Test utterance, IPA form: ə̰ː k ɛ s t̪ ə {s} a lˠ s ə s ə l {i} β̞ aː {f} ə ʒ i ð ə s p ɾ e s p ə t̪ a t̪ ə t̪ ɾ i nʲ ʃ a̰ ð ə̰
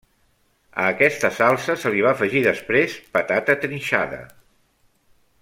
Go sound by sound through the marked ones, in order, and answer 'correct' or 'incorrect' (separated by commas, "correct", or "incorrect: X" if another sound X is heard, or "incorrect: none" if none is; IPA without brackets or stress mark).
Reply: correct, correct, correct